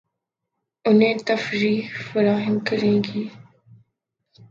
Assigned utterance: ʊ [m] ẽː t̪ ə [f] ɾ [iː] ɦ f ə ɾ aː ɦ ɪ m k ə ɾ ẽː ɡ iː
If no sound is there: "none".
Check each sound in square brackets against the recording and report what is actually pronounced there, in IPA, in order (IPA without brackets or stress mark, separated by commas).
n, f, iː